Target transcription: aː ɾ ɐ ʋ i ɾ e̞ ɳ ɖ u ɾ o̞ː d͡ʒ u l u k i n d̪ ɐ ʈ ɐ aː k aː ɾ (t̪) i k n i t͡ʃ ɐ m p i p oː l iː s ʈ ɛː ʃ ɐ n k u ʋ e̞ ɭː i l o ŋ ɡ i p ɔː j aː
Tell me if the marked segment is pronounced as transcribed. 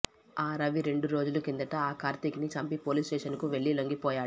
yes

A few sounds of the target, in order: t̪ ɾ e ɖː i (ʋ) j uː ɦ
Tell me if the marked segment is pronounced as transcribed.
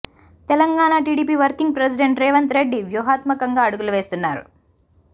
yes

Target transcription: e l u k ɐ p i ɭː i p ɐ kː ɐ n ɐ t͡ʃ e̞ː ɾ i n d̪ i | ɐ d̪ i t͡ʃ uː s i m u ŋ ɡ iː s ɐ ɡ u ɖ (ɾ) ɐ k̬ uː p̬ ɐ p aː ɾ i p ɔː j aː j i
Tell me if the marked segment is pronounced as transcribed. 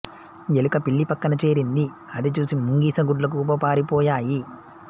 no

